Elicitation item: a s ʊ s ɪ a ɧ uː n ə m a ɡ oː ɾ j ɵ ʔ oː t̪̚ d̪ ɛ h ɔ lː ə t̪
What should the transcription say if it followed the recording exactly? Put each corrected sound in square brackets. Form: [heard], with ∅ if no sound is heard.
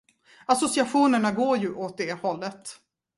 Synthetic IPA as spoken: a s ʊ s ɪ a ɧ uː n ə [ɳ] a ɡ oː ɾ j ɵ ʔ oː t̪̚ d̪ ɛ h ɔ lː ə t̪